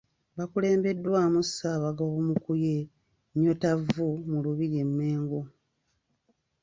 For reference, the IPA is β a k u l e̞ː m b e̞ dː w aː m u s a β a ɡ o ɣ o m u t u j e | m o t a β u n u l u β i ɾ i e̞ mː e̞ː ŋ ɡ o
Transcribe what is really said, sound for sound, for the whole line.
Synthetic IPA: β a k u l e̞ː m b e̞ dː w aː m u s a β a ɡ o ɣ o m u k u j e | ɲ o t a v u m u l u β i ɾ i e̞ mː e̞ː ŋ ɡ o

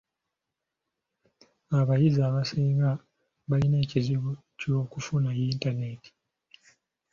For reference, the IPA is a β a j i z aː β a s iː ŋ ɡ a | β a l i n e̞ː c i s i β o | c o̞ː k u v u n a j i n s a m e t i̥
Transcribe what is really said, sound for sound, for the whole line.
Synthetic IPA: a β a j i z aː β a s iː ŋ ɡ a | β a l i n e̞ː c i z i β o | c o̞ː k u f u n a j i n t a n e t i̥

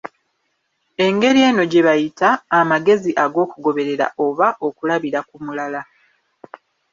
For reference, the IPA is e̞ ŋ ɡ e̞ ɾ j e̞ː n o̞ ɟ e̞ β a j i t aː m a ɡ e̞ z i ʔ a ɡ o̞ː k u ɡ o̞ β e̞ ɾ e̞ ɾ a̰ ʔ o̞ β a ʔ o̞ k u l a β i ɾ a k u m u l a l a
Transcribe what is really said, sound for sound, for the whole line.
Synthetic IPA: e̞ ŋ ɡ e̞ ɾ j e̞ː n o̞ ɟ e̞ β a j i t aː m a ɡ e̞ z i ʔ a ɡ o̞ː k u ɡ o̞ β e̞ ɾ e̞ ɾ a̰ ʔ o̞ β a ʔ o̞ k u l a β i ɾ a k u m u l a l a

